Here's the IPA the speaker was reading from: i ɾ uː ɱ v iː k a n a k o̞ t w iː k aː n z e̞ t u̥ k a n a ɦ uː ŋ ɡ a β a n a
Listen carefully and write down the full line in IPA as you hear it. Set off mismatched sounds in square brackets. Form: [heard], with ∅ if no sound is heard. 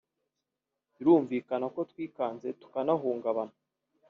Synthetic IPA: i ɾ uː ɱ v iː k a n a k o̞ t w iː k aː n z e̞ t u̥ k a n a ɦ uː ŋ ɡ a β a n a